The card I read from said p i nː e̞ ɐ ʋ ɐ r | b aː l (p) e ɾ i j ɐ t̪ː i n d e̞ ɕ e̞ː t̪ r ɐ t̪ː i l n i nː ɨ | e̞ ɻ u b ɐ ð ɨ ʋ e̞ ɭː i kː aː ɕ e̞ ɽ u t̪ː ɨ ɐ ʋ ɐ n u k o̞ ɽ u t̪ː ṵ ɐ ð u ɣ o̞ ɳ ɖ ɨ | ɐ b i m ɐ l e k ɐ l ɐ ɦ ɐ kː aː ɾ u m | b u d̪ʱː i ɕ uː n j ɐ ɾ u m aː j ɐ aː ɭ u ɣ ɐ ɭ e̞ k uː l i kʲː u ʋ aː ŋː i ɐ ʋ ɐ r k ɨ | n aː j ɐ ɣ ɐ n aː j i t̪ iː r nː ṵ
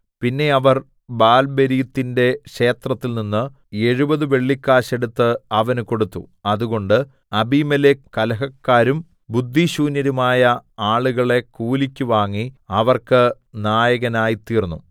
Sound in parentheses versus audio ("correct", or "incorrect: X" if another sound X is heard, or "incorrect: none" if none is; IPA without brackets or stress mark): incorrect: b